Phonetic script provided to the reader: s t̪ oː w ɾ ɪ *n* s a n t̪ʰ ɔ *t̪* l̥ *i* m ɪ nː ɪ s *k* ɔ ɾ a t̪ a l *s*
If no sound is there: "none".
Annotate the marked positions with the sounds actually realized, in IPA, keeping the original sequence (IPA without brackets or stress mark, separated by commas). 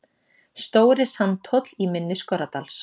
none, t̪, i, k, s